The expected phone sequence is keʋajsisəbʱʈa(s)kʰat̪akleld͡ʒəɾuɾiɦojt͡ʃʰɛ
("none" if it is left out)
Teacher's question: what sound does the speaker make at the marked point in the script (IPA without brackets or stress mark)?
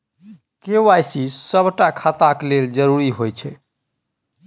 none